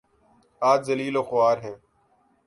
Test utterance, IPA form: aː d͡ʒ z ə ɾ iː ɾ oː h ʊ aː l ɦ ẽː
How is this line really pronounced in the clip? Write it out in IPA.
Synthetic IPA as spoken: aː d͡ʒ z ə l iː l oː x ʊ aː ɾ ɦ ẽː